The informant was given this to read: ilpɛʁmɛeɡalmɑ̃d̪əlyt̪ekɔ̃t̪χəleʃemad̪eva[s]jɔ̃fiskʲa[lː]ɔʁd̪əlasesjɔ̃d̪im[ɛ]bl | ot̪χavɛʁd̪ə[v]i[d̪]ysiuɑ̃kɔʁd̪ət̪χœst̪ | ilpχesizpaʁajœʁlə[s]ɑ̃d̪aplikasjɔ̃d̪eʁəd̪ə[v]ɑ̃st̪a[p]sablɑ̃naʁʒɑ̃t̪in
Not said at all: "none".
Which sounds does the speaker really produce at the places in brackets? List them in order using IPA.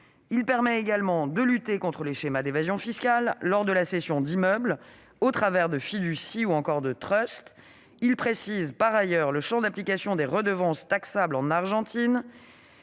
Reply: z, lː, œ, f, d̪, ʃ, v, k

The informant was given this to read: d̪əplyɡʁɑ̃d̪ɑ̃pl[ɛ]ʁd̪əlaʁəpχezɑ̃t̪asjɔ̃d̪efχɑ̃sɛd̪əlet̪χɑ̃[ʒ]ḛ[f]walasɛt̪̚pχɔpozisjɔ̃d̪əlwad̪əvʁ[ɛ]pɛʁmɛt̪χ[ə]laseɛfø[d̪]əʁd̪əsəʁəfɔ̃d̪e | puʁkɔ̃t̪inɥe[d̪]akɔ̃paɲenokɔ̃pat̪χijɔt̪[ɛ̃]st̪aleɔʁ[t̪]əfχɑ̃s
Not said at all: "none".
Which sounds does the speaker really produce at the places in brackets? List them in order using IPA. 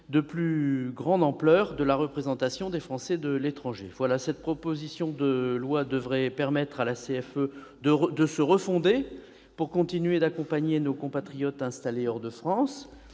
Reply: œ, ʒ, v, ɛ, a, d̪, d̪, ɛ̃, d̪

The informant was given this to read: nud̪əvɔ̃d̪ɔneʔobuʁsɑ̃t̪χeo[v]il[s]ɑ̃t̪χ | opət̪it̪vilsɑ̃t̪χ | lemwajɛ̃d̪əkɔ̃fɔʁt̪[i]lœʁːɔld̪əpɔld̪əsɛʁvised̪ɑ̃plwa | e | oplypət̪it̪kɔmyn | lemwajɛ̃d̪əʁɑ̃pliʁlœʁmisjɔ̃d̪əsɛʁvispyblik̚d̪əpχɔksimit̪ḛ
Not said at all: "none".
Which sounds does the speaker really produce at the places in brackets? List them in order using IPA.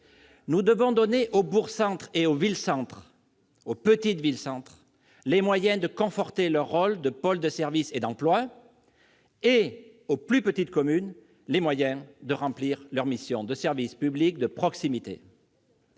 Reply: v, s, e

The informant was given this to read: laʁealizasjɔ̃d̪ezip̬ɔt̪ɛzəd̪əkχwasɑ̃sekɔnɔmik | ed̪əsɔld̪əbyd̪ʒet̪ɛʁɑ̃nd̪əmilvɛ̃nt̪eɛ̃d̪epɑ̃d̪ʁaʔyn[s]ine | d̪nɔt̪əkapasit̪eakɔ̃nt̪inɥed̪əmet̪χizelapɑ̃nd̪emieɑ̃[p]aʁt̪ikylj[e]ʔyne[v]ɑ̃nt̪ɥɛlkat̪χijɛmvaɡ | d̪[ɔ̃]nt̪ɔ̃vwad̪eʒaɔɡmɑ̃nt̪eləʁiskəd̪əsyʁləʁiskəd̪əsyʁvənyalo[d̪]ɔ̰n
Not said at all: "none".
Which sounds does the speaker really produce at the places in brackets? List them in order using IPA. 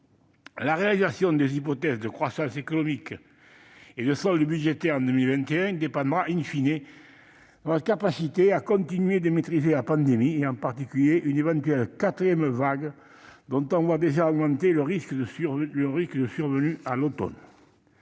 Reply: f, p, e, v, ɔ̃, t̪

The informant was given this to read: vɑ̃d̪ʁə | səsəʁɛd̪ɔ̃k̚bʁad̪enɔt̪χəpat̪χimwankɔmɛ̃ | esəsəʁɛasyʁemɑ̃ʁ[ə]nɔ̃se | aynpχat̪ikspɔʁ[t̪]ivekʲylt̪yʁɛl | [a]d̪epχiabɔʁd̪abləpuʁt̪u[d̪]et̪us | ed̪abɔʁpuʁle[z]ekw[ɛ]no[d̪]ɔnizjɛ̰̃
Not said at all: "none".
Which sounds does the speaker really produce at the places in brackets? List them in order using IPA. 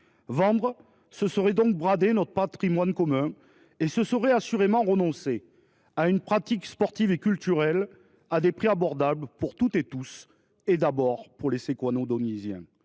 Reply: ə, t̪, a, t̪, s, a, d̪

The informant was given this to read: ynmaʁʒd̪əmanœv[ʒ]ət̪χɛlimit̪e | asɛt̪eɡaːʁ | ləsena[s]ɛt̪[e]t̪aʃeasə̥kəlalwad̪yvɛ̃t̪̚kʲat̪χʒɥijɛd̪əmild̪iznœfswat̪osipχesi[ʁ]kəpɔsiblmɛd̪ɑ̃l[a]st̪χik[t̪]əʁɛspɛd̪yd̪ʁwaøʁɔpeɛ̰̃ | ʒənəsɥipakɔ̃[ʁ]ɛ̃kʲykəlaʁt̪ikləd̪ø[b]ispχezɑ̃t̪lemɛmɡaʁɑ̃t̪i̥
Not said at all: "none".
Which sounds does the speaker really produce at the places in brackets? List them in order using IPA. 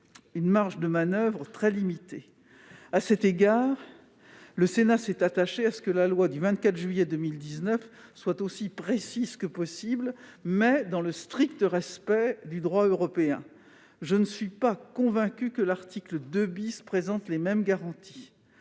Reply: ʁ, s, a, z, ə, t̪, v, b

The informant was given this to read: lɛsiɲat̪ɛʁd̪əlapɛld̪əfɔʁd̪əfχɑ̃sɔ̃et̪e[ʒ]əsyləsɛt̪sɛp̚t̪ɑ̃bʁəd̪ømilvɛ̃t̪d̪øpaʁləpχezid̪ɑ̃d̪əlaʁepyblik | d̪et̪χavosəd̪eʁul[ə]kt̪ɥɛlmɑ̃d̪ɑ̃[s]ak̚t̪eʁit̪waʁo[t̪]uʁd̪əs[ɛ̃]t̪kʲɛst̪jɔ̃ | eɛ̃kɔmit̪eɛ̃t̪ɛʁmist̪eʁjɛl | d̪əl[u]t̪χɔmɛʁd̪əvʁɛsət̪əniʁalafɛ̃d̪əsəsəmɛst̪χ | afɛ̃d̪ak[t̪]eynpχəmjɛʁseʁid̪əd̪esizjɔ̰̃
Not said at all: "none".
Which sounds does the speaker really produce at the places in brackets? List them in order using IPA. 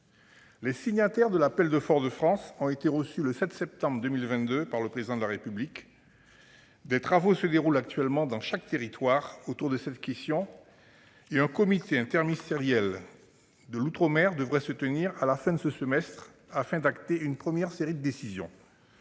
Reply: ʁ, a, ʃ, t̪, ɛ, u, t̪

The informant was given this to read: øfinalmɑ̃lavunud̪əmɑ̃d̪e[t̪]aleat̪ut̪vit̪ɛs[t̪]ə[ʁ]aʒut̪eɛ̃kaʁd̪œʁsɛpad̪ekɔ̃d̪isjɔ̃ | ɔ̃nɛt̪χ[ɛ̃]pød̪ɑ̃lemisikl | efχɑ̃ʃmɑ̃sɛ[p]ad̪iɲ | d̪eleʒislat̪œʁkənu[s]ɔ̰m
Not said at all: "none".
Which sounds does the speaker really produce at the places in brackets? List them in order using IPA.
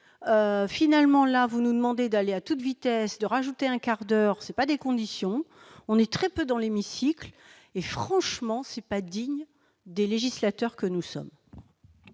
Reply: d̪, d̪, ʁ, ɛ, p, s

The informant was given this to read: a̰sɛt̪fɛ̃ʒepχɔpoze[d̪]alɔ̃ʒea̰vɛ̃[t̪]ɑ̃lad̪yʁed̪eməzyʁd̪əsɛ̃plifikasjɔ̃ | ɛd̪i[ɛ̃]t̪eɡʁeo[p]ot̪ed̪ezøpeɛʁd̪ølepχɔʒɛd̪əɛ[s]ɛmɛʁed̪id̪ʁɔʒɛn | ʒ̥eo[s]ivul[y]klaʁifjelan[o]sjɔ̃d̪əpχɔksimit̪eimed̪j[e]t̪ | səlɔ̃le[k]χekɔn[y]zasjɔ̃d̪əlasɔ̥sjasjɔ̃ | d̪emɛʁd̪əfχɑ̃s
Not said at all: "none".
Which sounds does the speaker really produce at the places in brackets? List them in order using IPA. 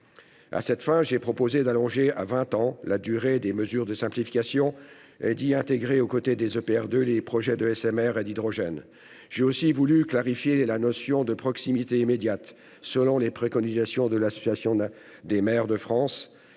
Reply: d̪, t̪, ɛ̃, k, s, s, y, ɔ, a, p, i

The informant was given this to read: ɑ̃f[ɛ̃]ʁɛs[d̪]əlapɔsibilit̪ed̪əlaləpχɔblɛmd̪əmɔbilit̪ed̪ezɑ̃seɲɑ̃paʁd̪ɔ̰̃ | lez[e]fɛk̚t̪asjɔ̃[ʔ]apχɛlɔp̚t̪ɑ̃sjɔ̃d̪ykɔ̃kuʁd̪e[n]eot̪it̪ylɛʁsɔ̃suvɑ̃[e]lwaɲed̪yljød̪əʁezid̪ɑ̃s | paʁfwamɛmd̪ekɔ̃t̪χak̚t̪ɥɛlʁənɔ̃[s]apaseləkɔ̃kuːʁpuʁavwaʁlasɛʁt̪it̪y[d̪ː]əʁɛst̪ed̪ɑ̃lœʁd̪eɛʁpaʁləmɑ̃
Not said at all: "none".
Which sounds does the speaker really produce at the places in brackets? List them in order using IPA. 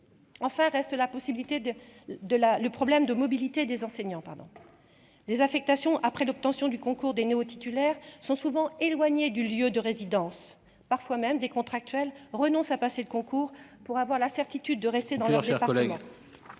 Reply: ɛ̃, t̪, a, ʔ, n, e, s, d̪ː

